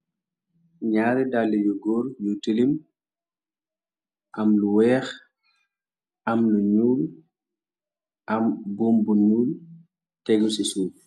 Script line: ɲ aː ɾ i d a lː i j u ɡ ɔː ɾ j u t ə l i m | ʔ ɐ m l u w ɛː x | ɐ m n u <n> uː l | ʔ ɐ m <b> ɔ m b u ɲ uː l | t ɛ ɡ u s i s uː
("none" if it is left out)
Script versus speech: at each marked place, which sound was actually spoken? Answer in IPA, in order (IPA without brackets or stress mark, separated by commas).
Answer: ɲ, b